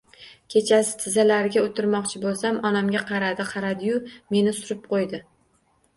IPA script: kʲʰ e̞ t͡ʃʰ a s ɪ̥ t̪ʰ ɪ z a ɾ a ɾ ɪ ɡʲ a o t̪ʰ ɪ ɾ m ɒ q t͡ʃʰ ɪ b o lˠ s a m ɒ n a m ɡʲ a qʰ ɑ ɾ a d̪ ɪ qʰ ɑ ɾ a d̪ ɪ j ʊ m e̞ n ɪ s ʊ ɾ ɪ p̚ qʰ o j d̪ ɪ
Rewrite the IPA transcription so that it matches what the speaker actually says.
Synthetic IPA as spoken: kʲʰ e̞ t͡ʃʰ a s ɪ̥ t̪ʰ ɪ z a l a ɾ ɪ ɡʲ a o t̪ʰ ɪ ɾ m ɒ q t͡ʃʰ ɪ b o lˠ s a m ɒ n a m ɡʲ a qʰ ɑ ɾ a d̪ ɪ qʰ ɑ ɾ a d̪ ɪ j ʊ m e̞ n ɪ s ʊ ɾ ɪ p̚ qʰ o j d̪ ɪ